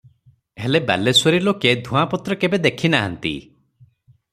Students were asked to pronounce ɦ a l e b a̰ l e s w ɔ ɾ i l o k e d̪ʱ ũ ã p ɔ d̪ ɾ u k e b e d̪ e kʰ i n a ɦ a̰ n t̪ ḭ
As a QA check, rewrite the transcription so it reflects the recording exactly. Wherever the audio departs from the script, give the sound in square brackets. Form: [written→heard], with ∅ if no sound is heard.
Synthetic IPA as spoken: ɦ [a→e] l e b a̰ l e s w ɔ ɾ i l o k e d̪ʱ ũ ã p ɔ [d̪→t̪] ɾ [u→ɔ] k e b e d̪ e kʰ i n a ɦ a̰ n t̪ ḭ